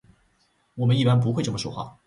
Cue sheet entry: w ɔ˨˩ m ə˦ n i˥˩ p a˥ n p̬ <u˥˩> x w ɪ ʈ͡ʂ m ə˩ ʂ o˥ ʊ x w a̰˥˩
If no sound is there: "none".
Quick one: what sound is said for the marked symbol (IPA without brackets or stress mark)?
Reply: u˧˥